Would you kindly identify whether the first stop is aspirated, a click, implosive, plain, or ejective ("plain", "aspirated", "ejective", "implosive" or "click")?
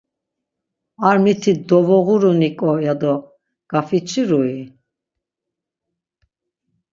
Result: aspirated